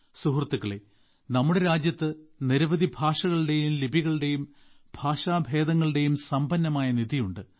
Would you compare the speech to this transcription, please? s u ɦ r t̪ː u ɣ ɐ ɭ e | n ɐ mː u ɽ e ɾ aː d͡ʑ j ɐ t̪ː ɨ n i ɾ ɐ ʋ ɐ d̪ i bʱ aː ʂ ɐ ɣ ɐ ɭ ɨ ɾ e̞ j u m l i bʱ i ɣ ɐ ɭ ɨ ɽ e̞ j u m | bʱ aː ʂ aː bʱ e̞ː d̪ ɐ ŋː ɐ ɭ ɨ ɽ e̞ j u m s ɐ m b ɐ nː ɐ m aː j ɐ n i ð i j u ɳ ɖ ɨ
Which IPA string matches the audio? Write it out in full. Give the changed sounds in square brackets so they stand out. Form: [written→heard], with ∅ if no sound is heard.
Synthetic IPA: s u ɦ r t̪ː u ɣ ɐ ɭ e | n ɐ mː u ɽ e ɾ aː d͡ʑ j ɐ t̪ː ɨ n i ɾ ɐ ʋ ɐ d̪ i bʱ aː ʂ ɐ ɣ ɐ ɭ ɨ [ɾ→ɽ] e̞ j u m l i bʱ i ɣ ɐ ɭ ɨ ɽ e̞ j u m | bʱ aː ʂ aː bʱ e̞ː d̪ ɐ ŋː ɐ ɭ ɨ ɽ e̞ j u m s ɐ m b ɐ nː ɐ m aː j ɐ n i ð i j u ɳ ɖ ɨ